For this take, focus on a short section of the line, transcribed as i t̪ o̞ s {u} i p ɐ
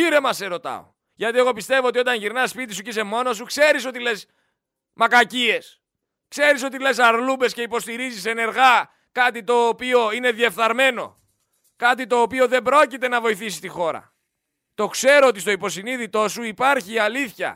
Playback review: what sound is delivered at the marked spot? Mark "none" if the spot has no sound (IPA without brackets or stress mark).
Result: u